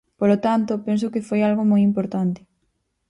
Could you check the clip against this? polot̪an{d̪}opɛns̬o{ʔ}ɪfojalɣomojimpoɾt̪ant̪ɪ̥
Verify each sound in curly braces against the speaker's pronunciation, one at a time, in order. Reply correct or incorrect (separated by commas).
incorrect, incorrect